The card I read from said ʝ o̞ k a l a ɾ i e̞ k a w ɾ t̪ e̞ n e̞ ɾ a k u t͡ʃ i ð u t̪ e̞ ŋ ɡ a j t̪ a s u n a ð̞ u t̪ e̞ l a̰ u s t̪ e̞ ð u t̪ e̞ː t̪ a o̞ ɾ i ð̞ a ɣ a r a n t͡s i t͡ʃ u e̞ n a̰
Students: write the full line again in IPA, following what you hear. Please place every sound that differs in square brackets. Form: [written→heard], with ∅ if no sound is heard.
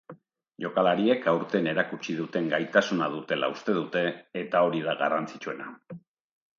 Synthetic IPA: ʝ o̞ k a l a ɾ i e̞ k a w ɾ t̪ e̞ n e̞ ɾ a k u t͡ʃ i ð u t̪ e̞ ŋ ɡ a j t̪ a s u n a ð̞ u t̪ e̞ l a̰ u s t̪ e̞ ð u t̪ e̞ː t̪ a o̞ ɾ i ð̞ a ɣ a r a n t͡s i t͡ʃ u e̞ n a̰